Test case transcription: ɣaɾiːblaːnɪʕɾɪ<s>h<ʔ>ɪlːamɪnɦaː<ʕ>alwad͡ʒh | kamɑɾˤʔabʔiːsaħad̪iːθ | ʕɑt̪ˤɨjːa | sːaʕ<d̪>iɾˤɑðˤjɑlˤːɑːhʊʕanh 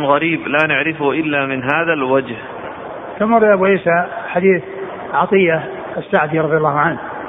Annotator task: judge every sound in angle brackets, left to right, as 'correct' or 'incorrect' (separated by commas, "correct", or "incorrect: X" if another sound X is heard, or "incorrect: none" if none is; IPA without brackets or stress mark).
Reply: incorrect: f, correct, incorrect: ð, correct